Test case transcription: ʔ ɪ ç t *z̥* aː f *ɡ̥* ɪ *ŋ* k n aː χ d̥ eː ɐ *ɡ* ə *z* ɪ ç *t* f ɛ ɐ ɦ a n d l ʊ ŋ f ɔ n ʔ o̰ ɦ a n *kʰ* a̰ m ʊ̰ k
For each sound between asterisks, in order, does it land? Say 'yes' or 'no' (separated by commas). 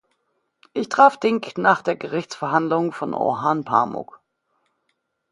no, no, yes, yes, no, no, no